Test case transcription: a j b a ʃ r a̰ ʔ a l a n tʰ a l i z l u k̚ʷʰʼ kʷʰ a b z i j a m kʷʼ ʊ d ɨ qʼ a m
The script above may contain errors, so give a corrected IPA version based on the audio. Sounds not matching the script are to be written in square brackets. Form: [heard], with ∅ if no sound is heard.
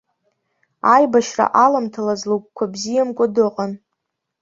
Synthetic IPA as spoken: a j b a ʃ r a̰ ʔ a l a [m] tʰ a l [a] z l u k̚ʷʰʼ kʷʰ a b z i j a m kʷʼ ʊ d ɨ qʼ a [n]